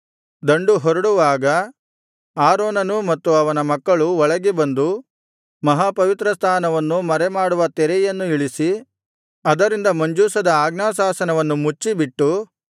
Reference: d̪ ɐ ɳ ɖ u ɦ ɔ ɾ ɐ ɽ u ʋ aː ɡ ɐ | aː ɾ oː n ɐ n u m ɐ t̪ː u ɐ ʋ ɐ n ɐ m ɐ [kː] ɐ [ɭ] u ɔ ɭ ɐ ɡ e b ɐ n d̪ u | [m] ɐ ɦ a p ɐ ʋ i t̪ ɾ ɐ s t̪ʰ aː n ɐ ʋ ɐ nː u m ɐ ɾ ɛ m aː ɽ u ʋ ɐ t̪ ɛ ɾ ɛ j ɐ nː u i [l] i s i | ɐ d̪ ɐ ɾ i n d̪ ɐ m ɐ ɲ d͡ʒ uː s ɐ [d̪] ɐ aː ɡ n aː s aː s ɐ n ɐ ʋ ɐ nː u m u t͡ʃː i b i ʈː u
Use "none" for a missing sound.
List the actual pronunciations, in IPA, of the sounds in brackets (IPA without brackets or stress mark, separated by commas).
kː, ɭ, m, ɭ, d̪